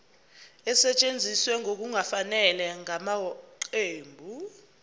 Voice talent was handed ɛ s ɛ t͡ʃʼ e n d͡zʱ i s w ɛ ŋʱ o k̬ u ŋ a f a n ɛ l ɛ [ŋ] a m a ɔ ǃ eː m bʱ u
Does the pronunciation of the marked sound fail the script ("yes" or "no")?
no